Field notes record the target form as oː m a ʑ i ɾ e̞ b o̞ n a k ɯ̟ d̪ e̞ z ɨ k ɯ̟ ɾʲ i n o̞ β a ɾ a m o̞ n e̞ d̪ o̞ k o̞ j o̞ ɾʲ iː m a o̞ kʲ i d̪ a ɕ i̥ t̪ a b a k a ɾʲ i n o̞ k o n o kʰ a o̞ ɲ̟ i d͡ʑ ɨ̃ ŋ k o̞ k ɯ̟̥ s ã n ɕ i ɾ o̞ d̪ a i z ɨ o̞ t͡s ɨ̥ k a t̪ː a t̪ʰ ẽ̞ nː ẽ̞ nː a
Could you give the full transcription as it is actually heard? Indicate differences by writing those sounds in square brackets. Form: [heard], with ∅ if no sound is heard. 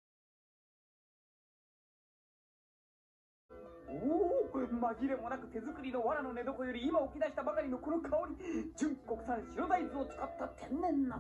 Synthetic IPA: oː m a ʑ i ɾ e̞ [m] o̞ n a k ɯ̟ [t̪] e̞ z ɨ k ɯ̟ ɾʲ i n o̞ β a ɾ a [n] o̞ n e̞ d̪ o̞ k o̞ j o̞ ɾʲ iː m a o̞ kʲ i d̪ a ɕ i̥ t̪ a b a k a ɾʲ i n o̞ k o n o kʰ a o̞ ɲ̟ i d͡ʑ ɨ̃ ŋ k o̞ k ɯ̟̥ s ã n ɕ i ɾ o̞ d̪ a i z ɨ o̞ t͡s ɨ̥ k a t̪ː a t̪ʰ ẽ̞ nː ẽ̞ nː a